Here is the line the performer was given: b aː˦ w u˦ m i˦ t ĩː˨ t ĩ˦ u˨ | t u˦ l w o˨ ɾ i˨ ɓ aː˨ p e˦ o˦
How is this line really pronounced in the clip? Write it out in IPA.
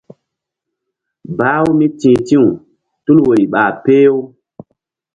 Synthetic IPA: b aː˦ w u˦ m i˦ t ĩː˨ t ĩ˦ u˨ | t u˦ l w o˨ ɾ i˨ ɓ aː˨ p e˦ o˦